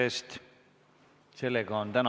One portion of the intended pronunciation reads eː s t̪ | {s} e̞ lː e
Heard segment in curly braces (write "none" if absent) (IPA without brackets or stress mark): s